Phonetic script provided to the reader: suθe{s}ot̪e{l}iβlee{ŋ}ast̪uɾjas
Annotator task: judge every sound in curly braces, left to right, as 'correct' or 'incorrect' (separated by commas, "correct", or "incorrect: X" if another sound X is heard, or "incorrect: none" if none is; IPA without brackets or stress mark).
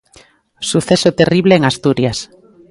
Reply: correct, incorrect: r, correct